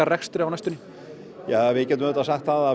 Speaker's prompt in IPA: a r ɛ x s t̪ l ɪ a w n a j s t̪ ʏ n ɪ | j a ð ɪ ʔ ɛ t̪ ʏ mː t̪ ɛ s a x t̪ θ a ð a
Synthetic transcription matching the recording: a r ɛ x s t̪ ɾ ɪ a w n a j s t̪ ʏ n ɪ | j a v ɪ c ɛ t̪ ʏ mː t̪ a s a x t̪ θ a ð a